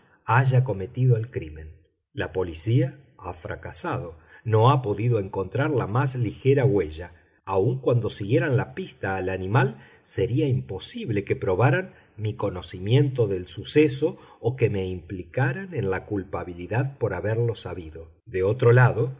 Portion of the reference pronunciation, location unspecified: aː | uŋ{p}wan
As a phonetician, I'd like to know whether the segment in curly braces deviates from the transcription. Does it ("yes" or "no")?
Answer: yes